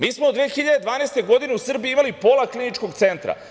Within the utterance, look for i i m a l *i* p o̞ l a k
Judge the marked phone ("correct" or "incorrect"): correct